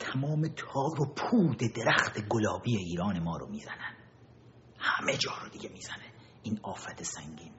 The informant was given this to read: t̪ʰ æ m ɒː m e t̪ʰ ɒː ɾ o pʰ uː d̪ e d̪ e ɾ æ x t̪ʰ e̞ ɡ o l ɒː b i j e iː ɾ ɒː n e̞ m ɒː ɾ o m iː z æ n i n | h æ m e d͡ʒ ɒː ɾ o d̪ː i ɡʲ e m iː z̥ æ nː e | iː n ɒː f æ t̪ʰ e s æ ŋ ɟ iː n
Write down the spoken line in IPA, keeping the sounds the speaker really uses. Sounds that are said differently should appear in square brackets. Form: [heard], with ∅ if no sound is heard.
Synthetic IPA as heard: t̪ʰ æ m ɒː m e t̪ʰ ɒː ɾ o pʰ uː d̪ e d̪ e ɾ æ x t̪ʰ e̞ ɡ o l ɒː b i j e iː ɾ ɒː n e̞ m ɒː ɾ o m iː z æ n [æ] n | h æ m e d͡ʒ ɒː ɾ o [d̪] i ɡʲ e m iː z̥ æ [n] e | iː n ɒː f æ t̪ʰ e s æ ŋ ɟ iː n